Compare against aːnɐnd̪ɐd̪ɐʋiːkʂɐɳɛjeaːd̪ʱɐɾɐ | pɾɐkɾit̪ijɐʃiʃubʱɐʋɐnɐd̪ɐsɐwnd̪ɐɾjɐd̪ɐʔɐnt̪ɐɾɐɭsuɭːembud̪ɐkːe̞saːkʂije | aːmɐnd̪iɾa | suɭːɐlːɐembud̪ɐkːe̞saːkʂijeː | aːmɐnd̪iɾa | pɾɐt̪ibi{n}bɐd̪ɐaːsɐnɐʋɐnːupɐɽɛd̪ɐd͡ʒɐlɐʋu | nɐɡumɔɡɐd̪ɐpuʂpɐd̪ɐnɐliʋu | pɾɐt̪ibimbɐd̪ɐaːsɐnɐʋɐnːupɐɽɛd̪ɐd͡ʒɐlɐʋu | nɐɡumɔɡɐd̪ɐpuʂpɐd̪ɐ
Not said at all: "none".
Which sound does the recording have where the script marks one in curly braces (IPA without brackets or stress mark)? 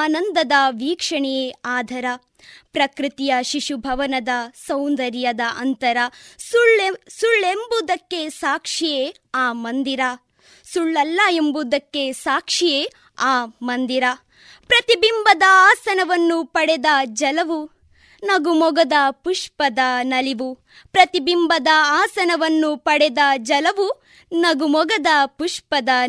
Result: m